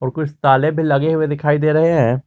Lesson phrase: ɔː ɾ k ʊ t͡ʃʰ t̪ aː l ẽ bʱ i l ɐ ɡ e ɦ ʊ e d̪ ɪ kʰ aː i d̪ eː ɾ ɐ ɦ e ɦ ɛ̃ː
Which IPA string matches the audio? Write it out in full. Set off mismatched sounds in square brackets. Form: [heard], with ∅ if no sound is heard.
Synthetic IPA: ɔː ɾ k ʊ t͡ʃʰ t̪ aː l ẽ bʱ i l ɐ ɡ e ɦ ʊ e d̪ ɪ kʰ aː i d̪ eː ɾ ɐ ɦ e ɦ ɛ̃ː